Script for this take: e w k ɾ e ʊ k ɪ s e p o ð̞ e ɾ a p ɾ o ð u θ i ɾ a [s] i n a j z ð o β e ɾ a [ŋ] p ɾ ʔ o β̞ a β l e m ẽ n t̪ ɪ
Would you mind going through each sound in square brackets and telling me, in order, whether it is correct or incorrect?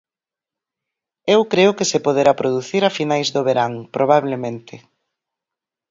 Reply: incorrect, correct

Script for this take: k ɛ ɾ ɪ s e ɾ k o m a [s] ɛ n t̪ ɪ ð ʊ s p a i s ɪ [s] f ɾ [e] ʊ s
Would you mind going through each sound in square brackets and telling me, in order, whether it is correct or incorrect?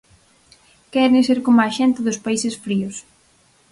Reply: incorrect, correct, incorrect

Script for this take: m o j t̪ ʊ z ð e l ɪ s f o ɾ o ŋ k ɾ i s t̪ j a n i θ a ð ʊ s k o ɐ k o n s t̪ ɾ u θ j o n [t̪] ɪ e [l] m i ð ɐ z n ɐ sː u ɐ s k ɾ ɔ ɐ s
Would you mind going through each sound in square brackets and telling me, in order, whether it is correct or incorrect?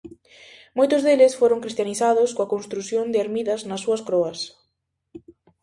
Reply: incorrect, incorrect

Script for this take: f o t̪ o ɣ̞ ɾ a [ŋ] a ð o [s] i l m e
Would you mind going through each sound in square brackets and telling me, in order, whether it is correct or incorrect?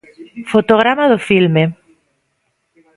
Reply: incorrect, incorrect

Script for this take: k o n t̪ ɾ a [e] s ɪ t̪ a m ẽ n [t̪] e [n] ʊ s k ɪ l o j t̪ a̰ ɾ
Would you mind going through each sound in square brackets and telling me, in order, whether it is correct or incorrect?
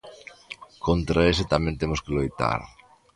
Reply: correct, correct, incorrect

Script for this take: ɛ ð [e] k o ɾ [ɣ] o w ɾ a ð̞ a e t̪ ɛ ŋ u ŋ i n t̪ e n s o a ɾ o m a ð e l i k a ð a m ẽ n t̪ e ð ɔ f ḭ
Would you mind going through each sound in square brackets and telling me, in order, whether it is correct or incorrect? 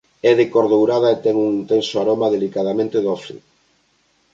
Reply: correct, incorrect

